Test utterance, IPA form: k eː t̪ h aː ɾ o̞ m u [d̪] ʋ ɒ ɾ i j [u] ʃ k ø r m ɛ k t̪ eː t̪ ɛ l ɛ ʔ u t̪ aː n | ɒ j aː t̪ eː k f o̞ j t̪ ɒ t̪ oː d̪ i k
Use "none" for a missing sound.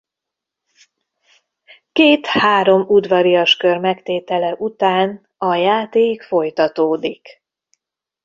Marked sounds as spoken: d̪, ɒ

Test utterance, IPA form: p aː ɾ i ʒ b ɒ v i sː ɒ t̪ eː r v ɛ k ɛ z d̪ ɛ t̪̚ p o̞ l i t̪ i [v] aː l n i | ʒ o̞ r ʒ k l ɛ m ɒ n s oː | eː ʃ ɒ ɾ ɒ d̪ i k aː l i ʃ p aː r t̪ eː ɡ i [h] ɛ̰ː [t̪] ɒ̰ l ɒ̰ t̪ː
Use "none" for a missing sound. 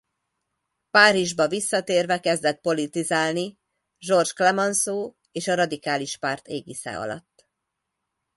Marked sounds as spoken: z, s, none

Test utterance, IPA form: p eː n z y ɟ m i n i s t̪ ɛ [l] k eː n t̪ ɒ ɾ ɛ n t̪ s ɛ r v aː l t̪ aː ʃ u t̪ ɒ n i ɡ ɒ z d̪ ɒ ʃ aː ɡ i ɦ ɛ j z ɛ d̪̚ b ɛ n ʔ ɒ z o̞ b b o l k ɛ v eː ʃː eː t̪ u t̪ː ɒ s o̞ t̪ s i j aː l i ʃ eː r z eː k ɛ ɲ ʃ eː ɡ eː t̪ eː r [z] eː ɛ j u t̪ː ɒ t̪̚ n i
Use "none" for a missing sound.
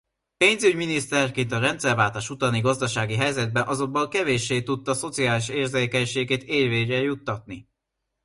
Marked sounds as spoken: r, v

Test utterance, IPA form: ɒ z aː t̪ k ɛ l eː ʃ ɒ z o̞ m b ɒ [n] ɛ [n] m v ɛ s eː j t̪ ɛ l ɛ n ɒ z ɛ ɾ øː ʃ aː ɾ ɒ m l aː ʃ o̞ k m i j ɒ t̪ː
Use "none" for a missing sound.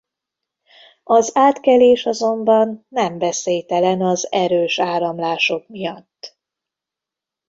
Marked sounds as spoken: nː, none

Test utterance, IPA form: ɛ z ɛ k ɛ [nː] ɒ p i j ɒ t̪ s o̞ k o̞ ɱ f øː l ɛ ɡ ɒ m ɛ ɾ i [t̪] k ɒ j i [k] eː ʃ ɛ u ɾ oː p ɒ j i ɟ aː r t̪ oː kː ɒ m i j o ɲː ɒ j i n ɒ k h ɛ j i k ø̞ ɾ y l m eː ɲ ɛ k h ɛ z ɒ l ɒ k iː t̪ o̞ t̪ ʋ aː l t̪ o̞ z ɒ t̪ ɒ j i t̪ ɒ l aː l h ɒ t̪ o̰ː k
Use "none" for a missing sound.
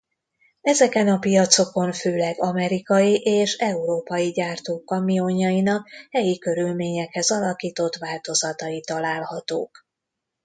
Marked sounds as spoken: n, none, ʔ

